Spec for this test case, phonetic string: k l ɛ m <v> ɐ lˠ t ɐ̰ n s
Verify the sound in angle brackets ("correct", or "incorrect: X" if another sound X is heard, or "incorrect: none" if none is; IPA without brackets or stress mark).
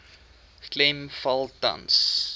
incorrect: f